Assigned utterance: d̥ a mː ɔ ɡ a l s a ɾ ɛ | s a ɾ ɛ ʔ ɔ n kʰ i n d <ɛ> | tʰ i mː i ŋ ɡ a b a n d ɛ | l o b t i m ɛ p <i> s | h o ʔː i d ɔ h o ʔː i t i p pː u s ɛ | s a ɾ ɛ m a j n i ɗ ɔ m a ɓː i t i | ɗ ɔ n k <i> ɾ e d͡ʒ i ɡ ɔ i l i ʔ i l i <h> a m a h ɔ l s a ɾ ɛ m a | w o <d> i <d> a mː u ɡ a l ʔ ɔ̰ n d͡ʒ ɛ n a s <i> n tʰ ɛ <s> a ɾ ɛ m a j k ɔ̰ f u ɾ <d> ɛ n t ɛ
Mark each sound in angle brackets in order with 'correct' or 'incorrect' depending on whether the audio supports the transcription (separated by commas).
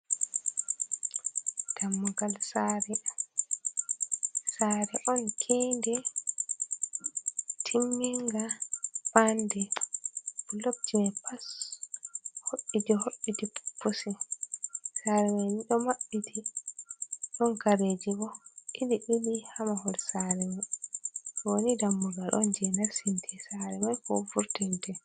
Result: correct, incorrect, incorrect, correct, incorrect, correct, correct, correct, incorrect